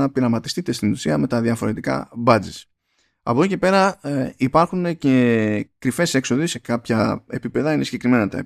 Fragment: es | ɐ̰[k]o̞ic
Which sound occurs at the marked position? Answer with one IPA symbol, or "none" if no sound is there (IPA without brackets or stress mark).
p